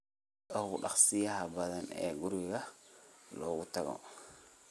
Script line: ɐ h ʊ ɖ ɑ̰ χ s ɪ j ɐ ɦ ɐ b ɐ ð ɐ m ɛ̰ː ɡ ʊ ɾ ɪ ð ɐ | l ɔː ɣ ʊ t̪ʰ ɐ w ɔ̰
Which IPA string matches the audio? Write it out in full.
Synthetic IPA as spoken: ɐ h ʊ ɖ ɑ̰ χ s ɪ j ɐ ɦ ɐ b ɐ ð ɐ n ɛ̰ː ɡ ʊ ɾ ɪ ɣ ɐ | l ɔː ɣ ʊ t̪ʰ ɐ ɣ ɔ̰